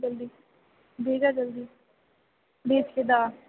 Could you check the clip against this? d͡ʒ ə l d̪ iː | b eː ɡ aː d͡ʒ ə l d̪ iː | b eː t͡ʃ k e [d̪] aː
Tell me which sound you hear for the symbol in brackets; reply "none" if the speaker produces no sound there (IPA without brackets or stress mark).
d̪